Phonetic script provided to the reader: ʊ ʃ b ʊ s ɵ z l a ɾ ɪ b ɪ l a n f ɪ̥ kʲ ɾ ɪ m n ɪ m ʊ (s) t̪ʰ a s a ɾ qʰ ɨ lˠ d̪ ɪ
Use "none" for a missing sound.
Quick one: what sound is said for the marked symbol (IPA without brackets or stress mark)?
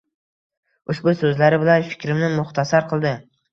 χ